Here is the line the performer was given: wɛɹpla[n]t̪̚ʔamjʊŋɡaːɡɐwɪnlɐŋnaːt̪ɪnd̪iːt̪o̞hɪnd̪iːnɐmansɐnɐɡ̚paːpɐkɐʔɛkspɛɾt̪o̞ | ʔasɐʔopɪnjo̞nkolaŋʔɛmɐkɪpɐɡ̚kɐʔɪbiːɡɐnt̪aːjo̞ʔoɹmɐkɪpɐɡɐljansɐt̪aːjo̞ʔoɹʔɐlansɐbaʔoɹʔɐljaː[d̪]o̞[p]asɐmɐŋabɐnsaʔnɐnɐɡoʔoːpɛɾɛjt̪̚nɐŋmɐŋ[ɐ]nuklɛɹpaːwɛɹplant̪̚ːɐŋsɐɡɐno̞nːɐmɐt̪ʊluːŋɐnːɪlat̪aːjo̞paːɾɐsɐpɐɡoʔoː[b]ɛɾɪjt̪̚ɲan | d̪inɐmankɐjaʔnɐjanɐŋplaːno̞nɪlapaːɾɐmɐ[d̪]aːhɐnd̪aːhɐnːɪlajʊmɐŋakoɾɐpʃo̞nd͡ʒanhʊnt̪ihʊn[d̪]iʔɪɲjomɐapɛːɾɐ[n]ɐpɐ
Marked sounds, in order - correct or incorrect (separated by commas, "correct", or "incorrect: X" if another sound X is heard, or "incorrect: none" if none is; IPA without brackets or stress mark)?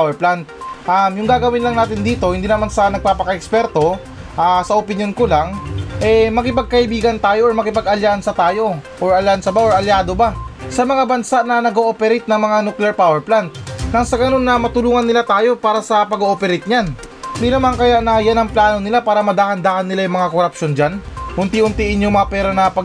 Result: correct, correct, incorrect: b, incorrect: a, incorrect: p, correct, incorrect: t̪, correct